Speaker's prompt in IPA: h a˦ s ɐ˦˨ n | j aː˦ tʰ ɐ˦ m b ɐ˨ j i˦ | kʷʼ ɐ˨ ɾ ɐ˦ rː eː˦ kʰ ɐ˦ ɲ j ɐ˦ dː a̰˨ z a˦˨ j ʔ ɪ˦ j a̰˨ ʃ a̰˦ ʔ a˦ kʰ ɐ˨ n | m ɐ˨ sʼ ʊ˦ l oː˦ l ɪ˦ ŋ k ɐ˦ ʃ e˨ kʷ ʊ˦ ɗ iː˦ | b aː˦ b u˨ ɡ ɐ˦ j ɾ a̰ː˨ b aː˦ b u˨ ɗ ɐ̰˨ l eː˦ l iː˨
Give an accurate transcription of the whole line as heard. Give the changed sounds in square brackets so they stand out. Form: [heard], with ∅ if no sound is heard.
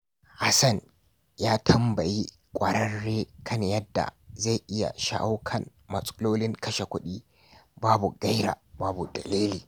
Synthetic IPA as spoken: h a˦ s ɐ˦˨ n | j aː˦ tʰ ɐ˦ m b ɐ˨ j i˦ | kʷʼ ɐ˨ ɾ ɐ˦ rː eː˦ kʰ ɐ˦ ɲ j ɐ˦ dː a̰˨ z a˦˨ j ʔ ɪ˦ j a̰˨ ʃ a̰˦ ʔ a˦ kʰ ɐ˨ n | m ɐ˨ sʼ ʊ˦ l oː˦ l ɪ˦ ŋ k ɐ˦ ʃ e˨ kʷ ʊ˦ ɗ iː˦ | b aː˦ b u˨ ɡ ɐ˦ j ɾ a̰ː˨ b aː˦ b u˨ [d] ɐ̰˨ l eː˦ l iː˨